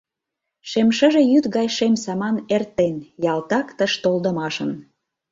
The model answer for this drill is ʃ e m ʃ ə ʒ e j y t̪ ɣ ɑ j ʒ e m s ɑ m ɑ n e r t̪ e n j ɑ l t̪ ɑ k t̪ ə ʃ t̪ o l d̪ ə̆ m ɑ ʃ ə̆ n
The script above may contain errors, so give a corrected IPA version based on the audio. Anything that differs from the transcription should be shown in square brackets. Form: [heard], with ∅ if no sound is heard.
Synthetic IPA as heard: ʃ e m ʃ ə ʒ e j y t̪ ɣ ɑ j [ʃ] e m s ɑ m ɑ n e r t̪ e n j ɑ l t̪ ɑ k t̪ ə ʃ t̪ o l d̪ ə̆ m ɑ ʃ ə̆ n